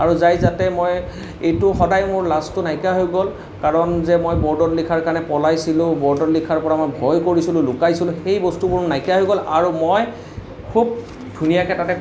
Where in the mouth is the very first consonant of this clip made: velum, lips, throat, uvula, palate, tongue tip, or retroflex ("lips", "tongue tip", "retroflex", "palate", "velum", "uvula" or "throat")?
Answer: tongue tip